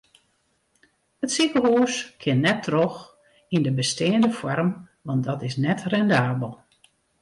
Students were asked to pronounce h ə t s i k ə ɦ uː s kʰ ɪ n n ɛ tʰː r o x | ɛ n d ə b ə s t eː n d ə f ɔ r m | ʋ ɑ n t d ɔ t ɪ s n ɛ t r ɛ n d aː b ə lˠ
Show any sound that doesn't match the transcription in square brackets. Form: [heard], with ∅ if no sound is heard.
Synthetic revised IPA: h ə t s i k ə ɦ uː s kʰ ɪ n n ɛ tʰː r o x | [i] n d ə b ə s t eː n d ə f ɔ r m | ʋ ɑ n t d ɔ t ɪ s n ɛ t r ɛ n d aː b ə lˠ